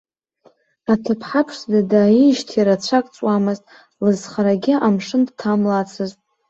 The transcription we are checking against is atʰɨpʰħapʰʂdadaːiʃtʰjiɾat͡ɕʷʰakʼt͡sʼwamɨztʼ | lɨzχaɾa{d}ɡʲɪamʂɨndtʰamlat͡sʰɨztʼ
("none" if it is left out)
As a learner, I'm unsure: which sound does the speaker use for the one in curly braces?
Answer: none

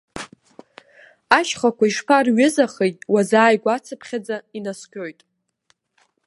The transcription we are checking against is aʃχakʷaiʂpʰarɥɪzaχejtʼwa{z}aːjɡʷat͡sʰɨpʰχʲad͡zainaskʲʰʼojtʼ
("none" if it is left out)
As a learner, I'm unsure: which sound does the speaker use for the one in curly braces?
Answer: z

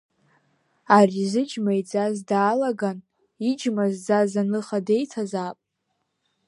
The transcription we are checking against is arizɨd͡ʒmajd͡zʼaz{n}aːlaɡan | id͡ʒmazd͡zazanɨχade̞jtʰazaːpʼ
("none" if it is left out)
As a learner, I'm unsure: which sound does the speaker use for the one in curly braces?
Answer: d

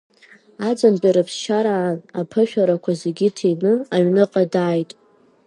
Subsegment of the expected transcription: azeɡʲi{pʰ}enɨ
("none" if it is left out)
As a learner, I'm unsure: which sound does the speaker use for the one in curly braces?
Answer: tʰ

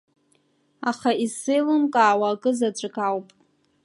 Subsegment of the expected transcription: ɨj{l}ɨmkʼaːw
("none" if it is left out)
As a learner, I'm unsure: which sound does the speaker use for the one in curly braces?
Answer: l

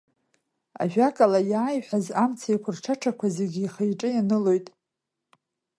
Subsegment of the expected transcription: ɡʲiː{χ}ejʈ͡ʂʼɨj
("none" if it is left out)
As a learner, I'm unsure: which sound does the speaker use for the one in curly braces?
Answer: χ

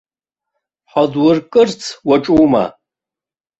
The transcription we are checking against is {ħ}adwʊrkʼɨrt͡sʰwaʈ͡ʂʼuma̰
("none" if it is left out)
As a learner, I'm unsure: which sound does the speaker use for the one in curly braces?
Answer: ħ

